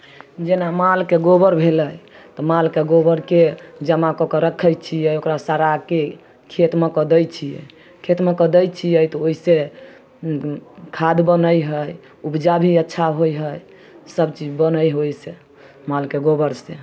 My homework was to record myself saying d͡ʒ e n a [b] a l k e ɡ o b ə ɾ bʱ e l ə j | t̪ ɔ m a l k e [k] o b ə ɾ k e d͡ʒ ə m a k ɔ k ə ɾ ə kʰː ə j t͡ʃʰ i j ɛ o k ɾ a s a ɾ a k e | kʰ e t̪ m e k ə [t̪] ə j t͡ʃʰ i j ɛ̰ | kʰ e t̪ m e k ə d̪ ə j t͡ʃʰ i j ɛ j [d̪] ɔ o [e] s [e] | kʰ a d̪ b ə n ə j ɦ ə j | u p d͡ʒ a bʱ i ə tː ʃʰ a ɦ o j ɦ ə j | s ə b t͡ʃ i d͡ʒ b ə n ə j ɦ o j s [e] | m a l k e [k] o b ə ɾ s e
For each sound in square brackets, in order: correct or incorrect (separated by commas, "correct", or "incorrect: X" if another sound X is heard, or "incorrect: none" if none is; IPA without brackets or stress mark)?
incorrect: m, incorrect: ɡ, incorrect: d̪, incorrect: t̪, incorrect: i, correct, correct, incorrect: ɡ